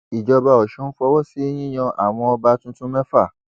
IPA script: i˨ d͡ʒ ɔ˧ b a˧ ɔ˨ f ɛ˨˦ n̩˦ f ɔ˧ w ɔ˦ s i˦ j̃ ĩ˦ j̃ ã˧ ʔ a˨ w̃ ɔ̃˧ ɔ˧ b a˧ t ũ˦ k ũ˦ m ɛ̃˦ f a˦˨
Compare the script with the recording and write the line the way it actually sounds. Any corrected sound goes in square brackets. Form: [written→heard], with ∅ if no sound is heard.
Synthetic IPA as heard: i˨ d͡ʒ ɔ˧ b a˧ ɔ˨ [f→ʃ] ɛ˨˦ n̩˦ f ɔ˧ w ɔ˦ s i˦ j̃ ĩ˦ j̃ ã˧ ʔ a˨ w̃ ɔ̃˧ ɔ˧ b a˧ t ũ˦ [k→t] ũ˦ m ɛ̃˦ f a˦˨